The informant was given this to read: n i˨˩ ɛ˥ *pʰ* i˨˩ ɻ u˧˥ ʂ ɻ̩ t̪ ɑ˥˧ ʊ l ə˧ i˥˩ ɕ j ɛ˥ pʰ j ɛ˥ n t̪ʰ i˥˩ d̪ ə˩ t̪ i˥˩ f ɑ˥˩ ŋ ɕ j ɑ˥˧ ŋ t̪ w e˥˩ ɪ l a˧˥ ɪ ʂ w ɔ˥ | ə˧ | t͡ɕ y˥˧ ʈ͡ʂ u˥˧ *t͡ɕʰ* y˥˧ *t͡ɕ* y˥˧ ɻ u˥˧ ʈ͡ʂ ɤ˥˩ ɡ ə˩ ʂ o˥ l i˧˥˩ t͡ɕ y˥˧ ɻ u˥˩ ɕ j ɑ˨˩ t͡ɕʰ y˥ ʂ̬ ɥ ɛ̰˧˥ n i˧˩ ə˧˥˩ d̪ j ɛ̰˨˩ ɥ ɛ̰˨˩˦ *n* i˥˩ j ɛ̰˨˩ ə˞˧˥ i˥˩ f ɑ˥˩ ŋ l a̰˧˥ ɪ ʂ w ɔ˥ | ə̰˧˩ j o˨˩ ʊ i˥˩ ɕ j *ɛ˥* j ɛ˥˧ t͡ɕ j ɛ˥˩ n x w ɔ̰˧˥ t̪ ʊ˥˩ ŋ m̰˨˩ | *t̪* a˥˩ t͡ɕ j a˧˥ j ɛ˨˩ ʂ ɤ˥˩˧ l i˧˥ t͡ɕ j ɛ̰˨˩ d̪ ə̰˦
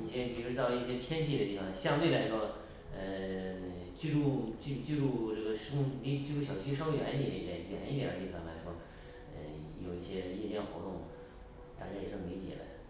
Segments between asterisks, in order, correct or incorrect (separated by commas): incorrect, incorrect, correct, correct, correct, correct